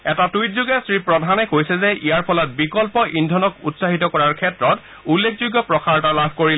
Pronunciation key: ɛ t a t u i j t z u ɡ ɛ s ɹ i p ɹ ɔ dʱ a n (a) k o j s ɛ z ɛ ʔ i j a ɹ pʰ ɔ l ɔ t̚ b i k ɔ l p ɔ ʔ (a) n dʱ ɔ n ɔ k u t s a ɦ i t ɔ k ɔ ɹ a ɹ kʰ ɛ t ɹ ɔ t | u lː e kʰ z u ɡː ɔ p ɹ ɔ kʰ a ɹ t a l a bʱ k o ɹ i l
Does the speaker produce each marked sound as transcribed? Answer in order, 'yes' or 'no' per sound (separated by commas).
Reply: no, no